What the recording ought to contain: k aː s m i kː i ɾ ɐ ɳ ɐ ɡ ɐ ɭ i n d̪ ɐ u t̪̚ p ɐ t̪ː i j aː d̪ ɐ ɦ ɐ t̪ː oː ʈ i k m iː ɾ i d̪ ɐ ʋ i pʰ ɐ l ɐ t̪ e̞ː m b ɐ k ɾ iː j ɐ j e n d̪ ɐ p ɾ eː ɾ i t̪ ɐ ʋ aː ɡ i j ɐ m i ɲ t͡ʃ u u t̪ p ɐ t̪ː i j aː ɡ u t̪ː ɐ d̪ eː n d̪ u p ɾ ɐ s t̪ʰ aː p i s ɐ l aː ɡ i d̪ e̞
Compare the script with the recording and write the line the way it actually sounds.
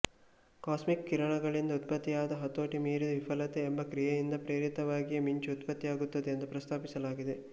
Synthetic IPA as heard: k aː s m i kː i ɾ ɐ ɳ ɐ ɡ ɐ ɭ i n d̪ ɐ u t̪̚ p ɐ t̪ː i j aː d̪ ɐ ɦ ɐ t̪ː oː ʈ i m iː ɾ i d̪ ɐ ʋ i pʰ ɐ l ɐ t̪ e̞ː m b ɐ k ɾ i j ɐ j i n d̪ ɐ p ɾ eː ɾ i t̪ ɐ ʋ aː ɡ i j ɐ m i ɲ t͡ʃ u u t̪ p ɐ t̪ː i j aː ɡ u t̪ː ɐ d̪ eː n d̪ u p ɾ ɐ s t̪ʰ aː p i s ɐ l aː ɡ i d̪ e̞